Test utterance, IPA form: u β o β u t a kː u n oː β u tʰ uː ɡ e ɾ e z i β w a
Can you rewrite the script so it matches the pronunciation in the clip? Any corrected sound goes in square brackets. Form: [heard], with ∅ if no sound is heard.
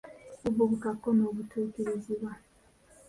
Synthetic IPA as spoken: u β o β u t a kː [o] n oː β u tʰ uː [k] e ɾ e z i β w a